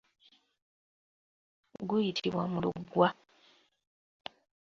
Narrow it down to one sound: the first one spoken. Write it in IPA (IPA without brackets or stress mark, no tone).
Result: ɡ